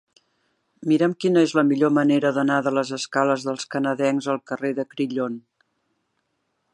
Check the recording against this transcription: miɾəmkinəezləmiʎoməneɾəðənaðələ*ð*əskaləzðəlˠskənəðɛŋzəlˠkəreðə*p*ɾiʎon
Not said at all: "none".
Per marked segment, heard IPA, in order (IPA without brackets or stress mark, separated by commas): z, k